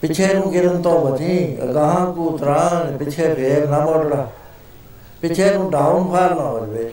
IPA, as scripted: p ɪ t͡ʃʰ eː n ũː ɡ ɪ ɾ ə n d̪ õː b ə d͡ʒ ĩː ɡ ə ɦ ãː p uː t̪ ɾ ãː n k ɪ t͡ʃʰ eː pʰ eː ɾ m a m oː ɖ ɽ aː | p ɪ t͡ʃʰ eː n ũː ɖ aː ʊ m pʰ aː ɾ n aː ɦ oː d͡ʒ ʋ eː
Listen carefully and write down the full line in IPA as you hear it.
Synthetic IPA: p ɪ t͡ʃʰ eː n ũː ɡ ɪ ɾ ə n t̪ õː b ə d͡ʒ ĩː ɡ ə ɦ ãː k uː t̪ ɾ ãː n p ɪ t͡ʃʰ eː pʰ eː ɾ n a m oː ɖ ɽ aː | p ɪ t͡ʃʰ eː n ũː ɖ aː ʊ n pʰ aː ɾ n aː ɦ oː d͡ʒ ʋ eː